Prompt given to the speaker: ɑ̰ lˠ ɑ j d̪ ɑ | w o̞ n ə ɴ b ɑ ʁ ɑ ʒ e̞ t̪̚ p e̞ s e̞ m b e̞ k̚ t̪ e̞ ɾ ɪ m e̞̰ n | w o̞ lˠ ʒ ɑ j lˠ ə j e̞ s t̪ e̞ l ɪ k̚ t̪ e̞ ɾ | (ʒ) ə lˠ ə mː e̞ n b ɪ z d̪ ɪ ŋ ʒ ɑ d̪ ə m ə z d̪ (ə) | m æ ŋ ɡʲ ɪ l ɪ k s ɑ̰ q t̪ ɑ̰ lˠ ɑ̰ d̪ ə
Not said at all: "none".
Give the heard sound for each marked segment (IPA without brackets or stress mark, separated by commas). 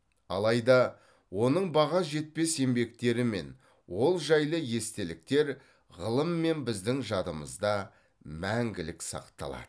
ʁ, ɑ